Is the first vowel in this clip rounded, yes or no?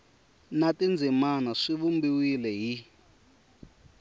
no